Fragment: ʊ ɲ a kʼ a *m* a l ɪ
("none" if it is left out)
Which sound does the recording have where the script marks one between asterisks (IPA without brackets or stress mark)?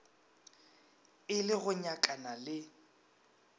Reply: n